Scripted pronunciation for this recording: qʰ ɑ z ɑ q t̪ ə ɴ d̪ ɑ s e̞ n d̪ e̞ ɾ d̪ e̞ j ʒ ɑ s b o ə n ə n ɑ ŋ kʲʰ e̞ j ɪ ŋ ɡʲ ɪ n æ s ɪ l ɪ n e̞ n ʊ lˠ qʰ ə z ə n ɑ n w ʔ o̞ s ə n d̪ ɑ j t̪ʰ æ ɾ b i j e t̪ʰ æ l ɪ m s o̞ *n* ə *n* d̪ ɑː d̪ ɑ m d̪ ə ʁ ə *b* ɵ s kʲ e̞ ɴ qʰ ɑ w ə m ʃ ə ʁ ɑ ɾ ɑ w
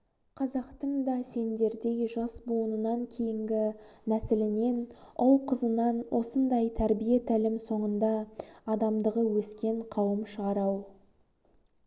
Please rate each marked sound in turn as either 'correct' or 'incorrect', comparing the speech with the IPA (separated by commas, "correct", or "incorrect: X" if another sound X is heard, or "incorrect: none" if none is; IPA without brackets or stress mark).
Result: incorrect: ɴ, correct, incorrect: w